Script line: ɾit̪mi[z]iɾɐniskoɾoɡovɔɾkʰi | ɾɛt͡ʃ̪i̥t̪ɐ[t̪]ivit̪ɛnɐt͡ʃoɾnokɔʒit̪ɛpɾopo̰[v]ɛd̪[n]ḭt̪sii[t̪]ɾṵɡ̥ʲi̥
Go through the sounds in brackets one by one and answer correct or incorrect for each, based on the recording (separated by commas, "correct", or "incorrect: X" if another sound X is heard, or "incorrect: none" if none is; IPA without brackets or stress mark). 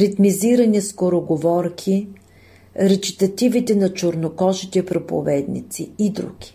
correct, correct, correct, correct, incorrect: d̪